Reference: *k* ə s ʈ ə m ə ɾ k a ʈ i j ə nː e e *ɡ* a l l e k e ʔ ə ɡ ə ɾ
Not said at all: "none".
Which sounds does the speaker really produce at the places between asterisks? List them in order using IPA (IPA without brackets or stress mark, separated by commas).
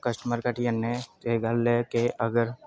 k, ɡ